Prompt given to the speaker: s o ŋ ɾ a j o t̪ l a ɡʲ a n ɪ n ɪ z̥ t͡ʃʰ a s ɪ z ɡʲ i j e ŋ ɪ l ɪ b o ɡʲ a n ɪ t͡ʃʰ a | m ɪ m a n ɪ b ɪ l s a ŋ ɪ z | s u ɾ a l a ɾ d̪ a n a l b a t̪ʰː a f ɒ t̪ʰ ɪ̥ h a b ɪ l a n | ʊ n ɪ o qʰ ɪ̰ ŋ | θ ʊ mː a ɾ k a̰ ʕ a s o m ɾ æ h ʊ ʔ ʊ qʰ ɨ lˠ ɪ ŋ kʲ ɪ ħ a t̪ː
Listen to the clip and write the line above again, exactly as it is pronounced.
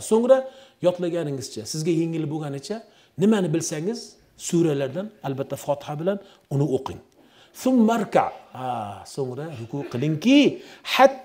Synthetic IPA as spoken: s o ŋ ɾ a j ɒ t̪ l a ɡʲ a n ɪ ŋ ɪ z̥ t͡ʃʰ a s ɪ z ɡʲ a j e ŋ ɪ l ɪ b o ɡʲ a n ɪ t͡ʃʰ a | n ɪ m a n ɪ b ɪ l s a ŋ ɪ z | s u ɾ a l a ɾ d̪ a n a l b a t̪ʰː a f ɒ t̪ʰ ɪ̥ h a b ɪ l a n | ʊ n ɪ o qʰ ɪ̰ ŋ | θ ʊ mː a ɾ k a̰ ʕ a s o ŋ ɾ a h ʊ k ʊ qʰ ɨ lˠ ɪ ŋ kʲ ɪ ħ a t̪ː